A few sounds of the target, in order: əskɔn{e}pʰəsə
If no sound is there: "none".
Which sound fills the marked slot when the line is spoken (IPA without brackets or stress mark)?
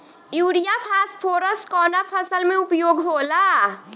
a